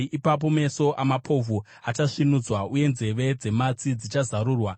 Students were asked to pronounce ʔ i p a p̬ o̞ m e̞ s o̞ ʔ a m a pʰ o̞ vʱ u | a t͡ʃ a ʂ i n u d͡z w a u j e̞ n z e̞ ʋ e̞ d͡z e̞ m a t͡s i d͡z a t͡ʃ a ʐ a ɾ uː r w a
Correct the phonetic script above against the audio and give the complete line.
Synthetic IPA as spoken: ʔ i p a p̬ o̞ m e̞ s o̞ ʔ a m a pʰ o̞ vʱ u | a t͡ʃ a ʂ i n u d͡z w a u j e̞ n z e̞ ʋ e̞ d͡z e̞ m a t͡s i d͡z i t͡ʃ a z a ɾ uː r w a